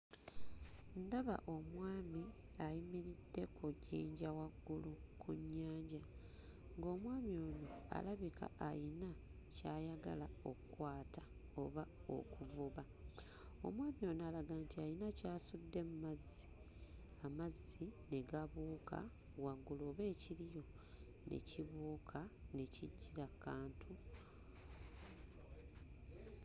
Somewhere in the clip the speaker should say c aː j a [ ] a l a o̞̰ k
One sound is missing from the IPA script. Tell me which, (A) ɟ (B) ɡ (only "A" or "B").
B